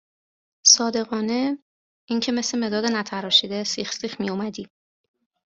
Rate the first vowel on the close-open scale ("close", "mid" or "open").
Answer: open